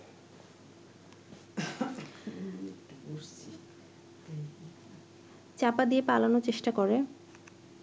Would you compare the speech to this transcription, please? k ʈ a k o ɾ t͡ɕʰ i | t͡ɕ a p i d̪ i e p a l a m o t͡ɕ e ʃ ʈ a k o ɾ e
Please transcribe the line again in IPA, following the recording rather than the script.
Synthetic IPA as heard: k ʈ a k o ɾ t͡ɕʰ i | t͡ɕ a p a d̪ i e p a l a n o t͡ɕ e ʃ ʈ a k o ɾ e